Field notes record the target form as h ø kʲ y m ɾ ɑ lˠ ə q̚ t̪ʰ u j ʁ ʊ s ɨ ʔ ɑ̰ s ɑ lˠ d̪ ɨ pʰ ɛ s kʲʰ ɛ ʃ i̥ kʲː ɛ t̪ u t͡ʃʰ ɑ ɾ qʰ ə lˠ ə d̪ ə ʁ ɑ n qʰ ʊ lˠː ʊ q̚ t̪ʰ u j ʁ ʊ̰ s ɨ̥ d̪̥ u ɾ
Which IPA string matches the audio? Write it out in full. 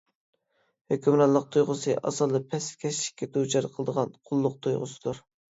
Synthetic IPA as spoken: h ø kʲ y m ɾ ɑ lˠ ə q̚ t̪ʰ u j ʁ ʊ s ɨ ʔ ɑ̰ s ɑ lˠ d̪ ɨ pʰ ɛ s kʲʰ ɛ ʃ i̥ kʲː ɛ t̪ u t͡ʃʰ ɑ ɾ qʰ ə lˠ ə d̪ ə ʁ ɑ n qʰ ʊ lˠː ʊ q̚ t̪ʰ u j ʁ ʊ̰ s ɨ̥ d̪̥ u ɾ